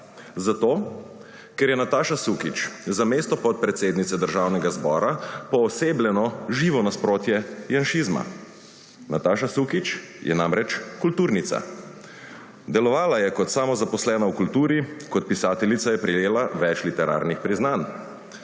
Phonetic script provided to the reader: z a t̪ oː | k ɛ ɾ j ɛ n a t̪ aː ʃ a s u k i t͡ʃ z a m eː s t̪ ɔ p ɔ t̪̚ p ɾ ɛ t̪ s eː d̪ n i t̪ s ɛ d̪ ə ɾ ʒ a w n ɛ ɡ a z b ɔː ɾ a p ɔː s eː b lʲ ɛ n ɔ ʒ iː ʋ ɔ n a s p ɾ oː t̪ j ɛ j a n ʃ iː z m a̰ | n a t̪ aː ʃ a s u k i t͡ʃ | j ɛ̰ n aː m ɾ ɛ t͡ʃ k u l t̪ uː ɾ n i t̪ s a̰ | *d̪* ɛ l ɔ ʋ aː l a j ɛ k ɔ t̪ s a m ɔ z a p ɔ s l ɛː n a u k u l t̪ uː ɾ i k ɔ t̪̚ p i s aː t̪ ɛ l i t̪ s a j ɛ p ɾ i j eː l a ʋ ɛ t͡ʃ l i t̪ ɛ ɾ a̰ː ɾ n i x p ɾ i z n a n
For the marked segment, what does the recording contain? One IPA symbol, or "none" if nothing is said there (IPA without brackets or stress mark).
d̪